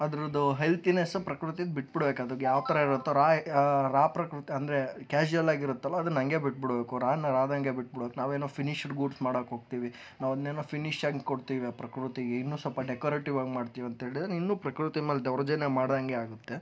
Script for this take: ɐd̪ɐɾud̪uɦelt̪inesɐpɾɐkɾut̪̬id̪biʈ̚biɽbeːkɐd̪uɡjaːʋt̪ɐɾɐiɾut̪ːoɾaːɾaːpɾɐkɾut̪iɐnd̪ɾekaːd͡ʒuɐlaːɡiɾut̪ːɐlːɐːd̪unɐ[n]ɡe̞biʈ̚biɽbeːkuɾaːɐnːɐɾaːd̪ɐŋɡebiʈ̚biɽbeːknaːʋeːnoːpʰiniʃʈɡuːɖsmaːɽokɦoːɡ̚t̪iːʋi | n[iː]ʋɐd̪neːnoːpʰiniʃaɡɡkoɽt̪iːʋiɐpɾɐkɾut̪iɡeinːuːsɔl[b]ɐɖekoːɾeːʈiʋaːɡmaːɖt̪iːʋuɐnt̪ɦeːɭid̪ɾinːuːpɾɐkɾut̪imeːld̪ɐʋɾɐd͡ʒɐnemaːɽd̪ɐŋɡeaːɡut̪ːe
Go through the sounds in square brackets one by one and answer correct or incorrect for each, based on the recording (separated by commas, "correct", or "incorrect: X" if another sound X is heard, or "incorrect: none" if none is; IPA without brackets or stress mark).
incorrect: ŋ, incorrect: aː, incorrect: p